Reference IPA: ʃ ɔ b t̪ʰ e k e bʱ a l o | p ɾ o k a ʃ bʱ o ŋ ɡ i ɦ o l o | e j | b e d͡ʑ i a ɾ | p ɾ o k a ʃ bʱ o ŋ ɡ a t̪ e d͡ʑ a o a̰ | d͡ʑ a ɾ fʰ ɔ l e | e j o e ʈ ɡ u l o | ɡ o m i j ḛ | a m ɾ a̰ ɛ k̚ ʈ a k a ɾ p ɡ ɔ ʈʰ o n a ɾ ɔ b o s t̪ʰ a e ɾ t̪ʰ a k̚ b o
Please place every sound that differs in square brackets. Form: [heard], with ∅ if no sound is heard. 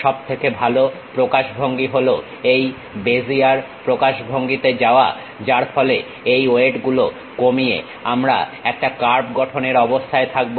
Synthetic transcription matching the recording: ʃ ɔ b t̪ʰ e k e bʱ a l o | p ɾ o k a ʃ bʱ o ŋ ɡ i ɦ o l o | e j | b e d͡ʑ i a ɾ | p ɾ o k a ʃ bʱ o ŋ ɡ [i] t̪ e d͡ʑ a o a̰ | d͡ʑ a ɾ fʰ ɔ l e | e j o e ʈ ɡ u l o | [k] o m i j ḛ | a m ɾ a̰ ɛ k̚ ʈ a k a ɾ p ɡ ɔ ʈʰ o n [e] ɾ ɔ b o s t̪ʰ a e [∅] t̪ʰ a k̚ b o